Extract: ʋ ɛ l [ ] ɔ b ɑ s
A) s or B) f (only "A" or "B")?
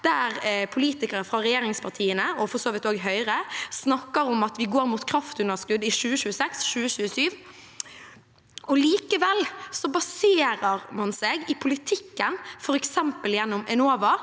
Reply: A